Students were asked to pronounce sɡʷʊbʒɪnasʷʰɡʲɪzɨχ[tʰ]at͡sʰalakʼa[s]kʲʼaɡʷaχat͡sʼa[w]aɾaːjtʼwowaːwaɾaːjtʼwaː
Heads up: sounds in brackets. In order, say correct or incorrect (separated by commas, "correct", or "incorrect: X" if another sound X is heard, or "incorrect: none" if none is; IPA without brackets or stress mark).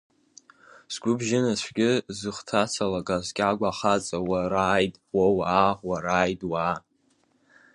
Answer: correct, incorrect: z, correct